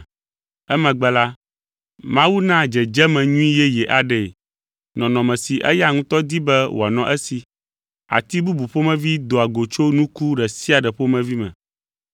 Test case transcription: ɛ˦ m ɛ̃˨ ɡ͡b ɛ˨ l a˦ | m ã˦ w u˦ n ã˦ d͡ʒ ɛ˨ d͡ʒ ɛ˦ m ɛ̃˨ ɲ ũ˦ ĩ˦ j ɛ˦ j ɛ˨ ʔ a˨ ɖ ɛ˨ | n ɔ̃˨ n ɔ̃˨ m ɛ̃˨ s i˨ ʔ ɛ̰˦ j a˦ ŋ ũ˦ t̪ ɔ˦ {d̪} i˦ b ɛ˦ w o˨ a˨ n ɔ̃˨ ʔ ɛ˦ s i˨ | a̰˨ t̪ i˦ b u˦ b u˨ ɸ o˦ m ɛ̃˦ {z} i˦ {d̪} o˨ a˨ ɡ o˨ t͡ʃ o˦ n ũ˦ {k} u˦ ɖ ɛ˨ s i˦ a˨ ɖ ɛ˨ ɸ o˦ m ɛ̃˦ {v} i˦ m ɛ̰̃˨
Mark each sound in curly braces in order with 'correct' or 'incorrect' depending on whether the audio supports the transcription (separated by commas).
correct, incorrect, correct, correct, correct